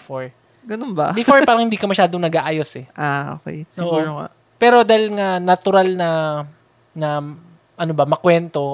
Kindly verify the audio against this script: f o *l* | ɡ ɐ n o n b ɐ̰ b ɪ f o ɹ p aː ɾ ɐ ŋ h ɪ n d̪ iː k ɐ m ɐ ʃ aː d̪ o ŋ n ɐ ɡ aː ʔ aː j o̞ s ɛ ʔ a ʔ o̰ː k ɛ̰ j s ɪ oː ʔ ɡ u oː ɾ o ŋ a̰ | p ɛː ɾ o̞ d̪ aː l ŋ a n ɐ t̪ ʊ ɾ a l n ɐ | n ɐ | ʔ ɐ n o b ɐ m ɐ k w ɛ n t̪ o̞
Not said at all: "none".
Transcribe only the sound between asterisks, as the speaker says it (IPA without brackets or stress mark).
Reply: ɹ